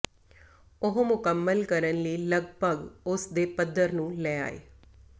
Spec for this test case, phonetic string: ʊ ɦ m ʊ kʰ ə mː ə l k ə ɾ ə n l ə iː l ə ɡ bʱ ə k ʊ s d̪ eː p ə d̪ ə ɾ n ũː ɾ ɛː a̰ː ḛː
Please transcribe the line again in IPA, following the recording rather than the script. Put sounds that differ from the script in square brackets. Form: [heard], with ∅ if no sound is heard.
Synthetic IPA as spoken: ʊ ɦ m ʊ [k] ə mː ə l k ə ɾ ə n l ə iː l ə ɡ bʱ ə [ɡ] ʊ s d̪ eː p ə d̪ ə ɾ n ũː [l] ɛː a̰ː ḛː